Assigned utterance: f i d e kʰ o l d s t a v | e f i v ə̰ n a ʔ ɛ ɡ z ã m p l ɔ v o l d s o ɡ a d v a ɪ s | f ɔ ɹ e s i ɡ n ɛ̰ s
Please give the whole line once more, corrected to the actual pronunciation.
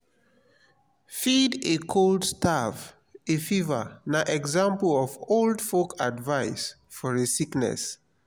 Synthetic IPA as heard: f i d e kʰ o l d s t a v | e f i v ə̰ n a ʔ ɛ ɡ z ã m p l ɔ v o l d f o k a d v a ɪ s | f ɔ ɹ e s i k n ɛ̰ s

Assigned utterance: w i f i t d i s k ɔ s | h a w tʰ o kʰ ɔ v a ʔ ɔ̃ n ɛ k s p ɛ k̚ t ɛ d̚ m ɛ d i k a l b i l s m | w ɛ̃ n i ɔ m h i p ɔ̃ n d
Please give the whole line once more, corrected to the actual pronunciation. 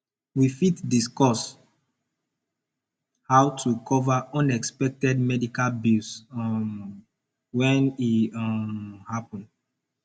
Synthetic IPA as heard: w i f i t d i s k ɔ s | h a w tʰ u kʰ ɔ v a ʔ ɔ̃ n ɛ k s p ɛ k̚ t ɛ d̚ m ɛ d i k a l b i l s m | w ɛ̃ n i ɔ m h a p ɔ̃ n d

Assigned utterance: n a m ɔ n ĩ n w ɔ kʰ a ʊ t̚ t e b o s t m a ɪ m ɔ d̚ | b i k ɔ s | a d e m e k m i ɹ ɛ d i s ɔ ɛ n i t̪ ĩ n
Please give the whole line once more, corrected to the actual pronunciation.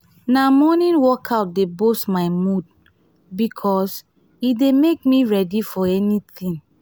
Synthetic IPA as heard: n a m ɔ n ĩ n w ɔ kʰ a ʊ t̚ d e b o s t m a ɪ m u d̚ | b i kʰ ɔ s | i d e m e k m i ɹ ɛ d i f ɔ ɛ n i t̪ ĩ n

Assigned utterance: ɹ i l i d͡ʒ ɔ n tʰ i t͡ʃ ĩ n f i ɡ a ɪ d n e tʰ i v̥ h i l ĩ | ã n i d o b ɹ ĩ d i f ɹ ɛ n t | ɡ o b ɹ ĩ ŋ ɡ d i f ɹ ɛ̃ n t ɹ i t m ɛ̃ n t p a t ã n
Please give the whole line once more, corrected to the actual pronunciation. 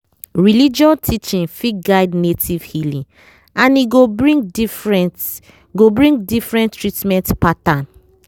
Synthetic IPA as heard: ɹ i l i d͡ʒ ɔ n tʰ i t͡ʃ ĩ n f i ɡ a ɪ d n e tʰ i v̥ h i l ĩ | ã n i ɡ o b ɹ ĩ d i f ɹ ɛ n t | ɡ o b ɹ ĩ ŋ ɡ d i f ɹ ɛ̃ n t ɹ i t m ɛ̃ n t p a t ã n

